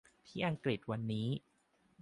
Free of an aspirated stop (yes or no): no